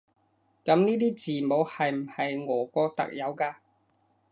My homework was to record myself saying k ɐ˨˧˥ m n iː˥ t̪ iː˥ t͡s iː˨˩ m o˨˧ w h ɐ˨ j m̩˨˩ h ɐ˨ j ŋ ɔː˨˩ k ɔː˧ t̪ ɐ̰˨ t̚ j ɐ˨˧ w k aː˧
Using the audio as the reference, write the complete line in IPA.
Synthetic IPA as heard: k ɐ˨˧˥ m n iː˥ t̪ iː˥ t͡s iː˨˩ m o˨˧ w h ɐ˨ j m̩˨˩ h ɐ˨ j ŋ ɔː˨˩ k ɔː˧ t̪ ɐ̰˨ k̚ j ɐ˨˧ w k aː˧

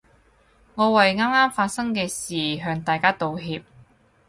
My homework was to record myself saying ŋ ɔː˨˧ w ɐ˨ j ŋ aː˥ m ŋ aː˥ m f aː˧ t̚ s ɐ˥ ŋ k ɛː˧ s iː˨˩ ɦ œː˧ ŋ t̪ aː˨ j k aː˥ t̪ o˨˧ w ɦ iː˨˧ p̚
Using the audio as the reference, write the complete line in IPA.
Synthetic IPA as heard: ŋ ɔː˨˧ w ɐ˨ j ŋ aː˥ m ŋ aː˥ m f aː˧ t̚ s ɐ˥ ŋ k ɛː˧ s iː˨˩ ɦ œː˧ ŋ t̪ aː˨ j k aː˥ t̪ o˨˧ w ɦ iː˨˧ p̚

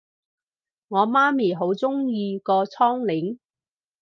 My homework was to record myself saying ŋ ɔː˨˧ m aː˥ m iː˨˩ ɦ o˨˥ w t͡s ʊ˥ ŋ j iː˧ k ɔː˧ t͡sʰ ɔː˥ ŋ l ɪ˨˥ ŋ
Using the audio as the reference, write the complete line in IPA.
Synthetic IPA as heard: ŋ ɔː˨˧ m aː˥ m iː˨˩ ɦ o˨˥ w t͡s ʊ˥ ŋ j iː˧ k ɔː˧ t͡sʰ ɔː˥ ŋ l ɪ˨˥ ŋ

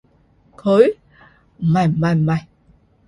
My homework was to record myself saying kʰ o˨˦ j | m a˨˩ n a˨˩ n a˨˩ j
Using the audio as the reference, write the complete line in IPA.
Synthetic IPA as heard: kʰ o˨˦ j | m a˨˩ m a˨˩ m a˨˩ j

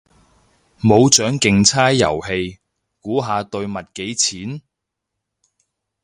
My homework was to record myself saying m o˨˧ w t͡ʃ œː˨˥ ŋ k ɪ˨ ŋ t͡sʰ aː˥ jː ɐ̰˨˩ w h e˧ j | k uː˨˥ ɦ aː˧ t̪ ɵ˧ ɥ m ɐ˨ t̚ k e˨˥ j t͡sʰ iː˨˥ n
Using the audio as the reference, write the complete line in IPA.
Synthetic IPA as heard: m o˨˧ w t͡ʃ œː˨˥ ŋ k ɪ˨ ŋ t͡sʰ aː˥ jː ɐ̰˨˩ w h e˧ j | k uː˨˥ ɦ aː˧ t̪ ɵ˧ ɥ m ɐ˨ t̚ k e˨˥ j t͡sʰ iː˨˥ n

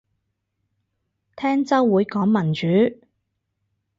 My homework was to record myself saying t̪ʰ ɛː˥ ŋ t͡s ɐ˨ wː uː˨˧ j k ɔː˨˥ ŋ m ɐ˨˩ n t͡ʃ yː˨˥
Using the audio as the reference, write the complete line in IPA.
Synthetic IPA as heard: t̪ʰ ɛː˥ ŋ t͡s ɐ˥ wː uː˨˧ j k ɔː˨˥ ŋ m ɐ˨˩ n t͡ʃ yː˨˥

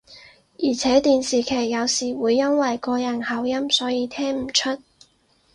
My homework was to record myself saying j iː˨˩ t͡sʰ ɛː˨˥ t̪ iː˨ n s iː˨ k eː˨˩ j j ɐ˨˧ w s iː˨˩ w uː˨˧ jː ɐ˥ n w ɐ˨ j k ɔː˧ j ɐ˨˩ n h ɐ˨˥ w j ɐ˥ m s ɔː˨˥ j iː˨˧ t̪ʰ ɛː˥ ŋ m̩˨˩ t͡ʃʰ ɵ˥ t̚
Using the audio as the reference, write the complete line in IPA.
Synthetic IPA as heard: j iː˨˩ t͡sʰ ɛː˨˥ t̪ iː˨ n s iː˨ kʰ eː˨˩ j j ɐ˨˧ w s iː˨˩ w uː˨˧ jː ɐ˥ n w ɐ˨ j k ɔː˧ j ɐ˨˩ n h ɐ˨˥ w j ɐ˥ m s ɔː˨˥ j iː˨˧ t̪ʰ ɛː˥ ŋ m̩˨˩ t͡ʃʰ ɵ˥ t̚

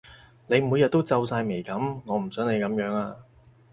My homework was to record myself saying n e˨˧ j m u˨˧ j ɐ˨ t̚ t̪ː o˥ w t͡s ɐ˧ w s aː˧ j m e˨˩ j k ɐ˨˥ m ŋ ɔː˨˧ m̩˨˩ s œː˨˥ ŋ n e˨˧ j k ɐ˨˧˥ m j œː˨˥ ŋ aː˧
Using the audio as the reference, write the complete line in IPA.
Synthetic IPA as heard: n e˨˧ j m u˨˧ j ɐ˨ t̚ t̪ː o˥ w t͡s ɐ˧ w s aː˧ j m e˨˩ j k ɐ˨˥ m ŋ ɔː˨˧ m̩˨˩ s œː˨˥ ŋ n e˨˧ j k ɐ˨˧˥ m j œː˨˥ ŋ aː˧

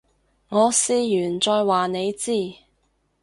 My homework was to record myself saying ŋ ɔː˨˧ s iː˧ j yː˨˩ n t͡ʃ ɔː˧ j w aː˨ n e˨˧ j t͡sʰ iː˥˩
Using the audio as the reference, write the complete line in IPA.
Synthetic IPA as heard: ŋ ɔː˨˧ s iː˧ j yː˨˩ n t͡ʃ ɔː˧ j w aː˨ n e˨˧ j t͡s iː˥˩

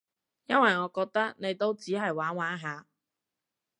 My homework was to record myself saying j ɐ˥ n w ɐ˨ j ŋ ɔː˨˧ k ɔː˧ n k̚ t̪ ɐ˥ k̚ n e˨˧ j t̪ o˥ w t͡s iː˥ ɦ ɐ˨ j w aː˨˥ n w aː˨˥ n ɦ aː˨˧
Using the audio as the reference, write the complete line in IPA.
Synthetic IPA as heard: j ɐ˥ n w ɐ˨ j ŋ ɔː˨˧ k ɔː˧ k̚ t̪ ɐ˥ k̚ n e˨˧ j t̪ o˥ w t͡s iː˨˥ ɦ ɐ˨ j w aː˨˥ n w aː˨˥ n ɦ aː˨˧

